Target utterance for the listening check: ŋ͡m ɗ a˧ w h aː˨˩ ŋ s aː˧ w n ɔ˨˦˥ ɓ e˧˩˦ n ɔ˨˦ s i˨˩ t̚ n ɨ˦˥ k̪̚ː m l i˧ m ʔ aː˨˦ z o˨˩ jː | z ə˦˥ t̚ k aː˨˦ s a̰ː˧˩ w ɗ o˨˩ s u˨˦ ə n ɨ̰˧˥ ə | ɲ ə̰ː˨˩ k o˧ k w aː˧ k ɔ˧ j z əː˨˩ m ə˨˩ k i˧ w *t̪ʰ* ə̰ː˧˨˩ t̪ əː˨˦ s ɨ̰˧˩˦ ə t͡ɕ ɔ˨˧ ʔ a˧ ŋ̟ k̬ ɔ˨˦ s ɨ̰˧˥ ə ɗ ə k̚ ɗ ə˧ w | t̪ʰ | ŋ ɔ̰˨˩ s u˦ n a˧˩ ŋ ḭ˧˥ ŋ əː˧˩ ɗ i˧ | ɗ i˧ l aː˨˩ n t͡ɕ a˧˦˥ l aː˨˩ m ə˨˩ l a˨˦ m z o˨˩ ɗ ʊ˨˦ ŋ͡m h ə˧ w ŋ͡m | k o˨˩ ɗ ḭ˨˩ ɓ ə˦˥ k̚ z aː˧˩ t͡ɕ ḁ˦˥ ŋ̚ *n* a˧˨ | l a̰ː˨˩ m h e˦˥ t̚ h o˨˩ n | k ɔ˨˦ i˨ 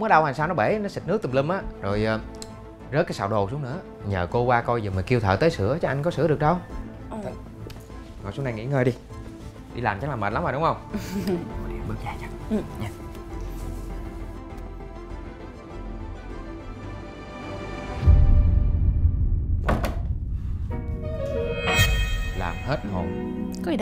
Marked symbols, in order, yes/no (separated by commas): yes, no